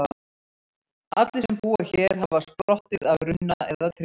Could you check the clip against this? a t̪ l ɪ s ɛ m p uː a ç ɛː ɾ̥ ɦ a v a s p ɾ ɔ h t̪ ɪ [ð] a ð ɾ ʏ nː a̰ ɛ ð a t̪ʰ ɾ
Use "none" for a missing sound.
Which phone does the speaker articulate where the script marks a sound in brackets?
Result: ð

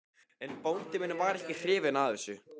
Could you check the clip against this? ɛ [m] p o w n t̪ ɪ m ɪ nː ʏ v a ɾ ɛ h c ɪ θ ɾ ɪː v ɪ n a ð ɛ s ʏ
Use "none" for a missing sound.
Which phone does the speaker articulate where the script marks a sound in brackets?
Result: n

